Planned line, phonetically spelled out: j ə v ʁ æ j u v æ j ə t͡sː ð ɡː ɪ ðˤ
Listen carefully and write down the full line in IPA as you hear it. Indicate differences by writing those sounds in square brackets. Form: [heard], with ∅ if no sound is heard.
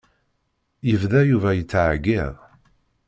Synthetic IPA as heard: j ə v [ð] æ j u v æ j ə t͡sː [ʕ] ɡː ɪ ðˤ